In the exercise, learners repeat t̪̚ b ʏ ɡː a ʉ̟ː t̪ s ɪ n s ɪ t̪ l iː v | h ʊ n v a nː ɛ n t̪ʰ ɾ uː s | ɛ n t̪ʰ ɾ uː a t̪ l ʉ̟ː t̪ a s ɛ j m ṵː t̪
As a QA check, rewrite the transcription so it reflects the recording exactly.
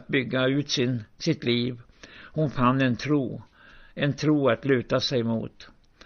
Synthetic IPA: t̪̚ b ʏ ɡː a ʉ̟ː t̪ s ɪ n s ɪ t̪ l iː v | h ʊ n f a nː ɛ n t̪ʰ ɾ uː | ɛ n t̪ʰ ɾ uː a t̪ l ʉ̟ː t̪ a s ɛ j m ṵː t̪